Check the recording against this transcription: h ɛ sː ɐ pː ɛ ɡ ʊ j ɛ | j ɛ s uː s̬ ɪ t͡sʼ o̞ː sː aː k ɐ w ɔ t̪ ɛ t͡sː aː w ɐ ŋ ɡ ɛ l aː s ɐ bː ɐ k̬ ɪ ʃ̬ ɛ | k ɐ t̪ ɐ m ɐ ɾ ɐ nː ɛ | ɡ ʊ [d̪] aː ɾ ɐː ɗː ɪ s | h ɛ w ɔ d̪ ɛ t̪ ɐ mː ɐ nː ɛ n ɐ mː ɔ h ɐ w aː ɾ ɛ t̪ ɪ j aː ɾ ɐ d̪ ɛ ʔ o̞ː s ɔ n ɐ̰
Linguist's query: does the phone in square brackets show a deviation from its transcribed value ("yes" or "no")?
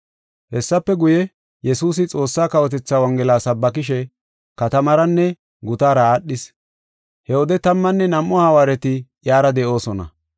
yes